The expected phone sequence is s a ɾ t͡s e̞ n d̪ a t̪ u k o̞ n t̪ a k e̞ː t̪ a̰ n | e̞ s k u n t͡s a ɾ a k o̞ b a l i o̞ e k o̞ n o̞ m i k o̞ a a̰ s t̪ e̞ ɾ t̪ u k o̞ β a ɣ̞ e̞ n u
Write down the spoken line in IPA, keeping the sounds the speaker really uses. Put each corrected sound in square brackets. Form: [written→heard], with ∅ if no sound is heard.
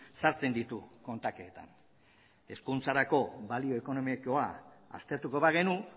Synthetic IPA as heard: s a ɾ t͡s e̞ n d̪ [a→i] t̪ u k o̞ n t̪ a k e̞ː t̪ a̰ n | e̞ s k u n t͡s a ɾ a k o̞ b a l i o̞ e k o̞ n o̞ m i k o̞ a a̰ s t̪ e̞ ɾ t̪ u k o̞ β a ɣ̞ e̞ n u